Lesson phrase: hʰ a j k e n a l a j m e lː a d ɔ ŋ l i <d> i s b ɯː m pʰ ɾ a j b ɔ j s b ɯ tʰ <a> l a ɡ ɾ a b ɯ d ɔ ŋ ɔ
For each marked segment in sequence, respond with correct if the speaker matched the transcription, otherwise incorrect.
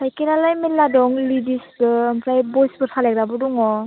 correct, correct

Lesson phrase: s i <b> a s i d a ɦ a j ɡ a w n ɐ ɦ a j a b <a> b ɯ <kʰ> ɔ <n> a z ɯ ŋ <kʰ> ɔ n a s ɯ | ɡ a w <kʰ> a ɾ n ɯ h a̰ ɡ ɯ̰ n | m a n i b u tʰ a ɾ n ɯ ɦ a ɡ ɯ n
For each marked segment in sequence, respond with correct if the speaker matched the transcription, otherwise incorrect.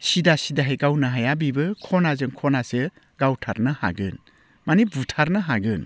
incorrect: d, incorrect: i, correct, correct, correct, incorrect: tʰ

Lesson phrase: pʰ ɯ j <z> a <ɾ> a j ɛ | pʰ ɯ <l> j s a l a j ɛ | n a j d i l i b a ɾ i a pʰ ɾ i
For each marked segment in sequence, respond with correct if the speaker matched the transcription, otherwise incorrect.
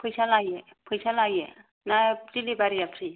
incorrect: s, incorrect: l, incorrect: none

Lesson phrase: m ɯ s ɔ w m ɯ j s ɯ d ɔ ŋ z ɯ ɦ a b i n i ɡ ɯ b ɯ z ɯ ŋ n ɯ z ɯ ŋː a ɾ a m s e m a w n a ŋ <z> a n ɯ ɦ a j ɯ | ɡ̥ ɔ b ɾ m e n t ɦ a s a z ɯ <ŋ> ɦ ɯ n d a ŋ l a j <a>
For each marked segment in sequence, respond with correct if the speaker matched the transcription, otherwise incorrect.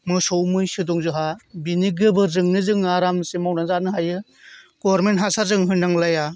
correct, correct, correct

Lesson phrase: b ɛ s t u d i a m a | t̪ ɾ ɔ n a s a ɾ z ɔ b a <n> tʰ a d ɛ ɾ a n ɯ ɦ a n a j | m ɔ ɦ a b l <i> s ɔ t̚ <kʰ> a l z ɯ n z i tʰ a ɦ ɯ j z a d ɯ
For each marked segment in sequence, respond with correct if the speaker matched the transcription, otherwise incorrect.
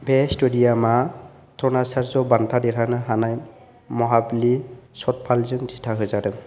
correct, correct, incorrect: pʰ

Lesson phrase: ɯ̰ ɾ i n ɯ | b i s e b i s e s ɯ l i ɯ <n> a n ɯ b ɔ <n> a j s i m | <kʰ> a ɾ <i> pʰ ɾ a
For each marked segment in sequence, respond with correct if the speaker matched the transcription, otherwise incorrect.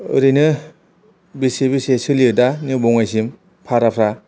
incorrect: d, incorrect: ŋ, incorrect: pʰ, incorrect: a

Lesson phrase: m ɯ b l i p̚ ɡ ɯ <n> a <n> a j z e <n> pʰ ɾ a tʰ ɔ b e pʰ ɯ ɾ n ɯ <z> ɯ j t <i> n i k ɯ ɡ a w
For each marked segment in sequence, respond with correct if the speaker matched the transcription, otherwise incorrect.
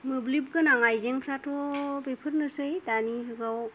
correct, incorrect: ŋ, incorrect: ŋ, incorrect: s, incorrect: a

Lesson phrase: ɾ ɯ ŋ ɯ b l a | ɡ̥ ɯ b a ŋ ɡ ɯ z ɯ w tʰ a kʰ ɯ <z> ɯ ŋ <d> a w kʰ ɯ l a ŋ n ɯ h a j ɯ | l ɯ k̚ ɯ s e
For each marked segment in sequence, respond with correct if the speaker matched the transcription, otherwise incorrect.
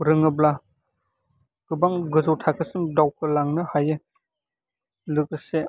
incorrect: s, correct

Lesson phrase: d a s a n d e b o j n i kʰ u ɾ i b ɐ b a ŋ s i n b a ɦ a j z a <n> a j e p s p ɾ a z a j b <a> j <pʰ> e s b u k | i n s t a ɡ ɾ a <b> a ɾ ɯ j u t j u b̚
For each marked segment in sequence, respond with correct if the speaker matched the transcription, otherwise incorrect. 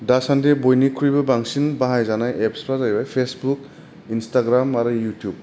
correct, correct, correct, incorrect: m

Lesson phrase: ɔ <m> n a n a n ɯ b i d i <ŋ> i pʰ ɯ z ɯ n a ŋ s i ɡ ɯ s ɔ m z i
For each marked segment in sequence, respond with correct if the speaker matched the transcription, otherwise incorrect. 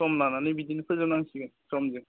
correct, incorrect: n

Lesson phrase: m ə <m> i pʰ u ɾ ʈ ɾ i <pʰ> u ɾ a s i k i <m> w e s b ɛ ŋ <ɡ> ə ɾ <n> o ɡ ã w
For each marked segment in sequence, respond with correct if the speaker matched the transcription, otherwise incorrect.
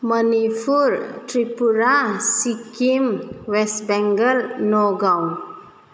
incorrect: n, incorrect: p, correct, correct, correct

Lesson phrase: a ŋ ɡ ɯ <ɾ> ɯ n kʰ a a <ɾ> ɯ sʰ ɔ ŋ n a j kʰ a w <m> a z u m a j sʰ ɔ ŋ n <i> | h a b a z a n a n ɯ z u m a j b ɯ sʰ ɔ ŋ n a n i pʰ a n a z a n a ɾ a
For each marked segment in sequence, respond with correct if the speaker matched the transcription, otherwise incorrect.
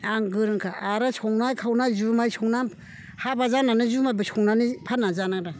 correct, correct, incorrect: n, incorrect: a

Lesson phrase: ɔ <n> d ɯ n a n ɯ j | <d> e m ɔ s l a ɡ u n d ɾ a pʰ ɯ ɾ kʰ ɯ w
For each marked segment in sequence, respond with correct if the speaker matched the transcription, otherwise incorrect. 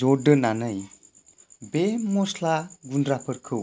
incorrect: none, incorrect: b

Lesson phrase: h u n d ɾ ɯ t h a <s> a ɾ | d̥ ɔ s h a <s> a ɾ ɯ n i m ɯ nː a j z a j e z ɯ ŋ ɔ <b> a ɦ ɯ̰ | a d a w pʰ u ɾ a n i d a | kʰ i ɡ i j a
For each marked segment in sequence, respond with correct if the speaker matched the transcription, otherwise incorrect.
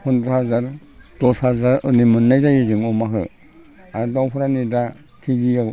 incorrect: z, incorrect: z, incorrect: m

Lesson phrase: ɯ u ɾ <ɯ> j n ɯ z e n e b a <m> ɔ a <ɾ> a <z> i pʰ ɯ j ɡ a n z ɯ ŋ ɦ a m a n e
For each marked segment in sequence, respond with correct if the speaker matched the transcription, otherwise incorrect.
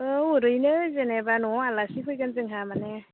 correct, incorrect: n, incorrect: l, incorrect: s

